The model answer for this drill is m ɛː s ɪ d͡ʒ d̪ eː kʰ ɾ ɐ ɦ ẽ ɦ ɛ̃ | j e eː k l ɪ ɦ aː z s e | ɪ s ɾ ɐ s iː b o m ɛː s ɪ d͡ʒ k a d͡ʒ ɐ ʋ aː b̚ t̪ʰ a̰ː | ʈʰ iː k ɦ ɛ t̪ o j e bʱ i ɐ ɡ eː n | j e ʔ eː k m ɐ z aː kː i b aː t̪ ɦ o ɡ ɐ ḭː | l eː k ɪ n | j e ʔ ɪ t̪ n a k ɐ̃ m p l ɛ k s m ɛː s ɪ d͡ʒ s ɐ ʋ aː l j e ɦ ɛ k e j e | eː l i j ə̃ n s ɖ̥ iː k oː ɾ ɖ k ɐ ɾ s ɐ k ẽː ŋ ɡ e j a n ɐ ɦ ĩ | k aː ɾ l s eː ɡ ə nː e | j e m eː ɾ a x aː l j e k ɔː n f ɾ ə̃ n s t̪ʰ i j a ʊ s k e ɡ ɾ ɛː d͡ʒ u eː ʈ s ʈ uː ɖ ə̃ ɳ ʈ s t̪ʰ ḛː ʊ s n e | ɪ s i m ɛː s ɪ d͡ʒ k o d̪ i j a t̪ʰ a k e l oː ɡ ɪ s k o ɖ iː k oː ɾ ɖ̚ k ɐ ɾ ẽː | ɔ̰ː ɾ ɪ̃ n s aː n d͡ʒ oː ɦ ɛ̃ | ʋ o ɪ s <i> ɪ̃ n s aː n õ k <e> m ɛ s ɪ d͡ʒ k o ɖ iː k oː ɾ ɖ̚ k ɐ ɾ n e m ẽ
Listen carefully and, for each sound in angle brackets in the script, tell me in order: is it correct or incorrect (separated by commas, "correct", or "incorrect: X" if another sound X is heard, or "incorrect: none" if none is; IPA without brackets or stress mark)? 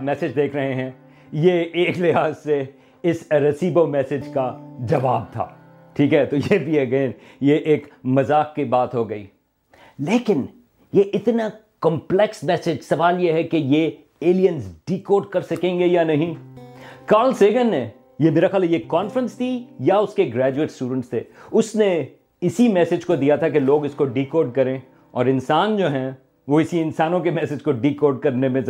correct, correct